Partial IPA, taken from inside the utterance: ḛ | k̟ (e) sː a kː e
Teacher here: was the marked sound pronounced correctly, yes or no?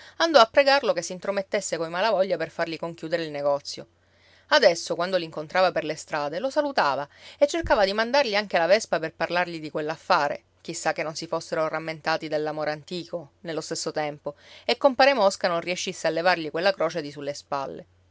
no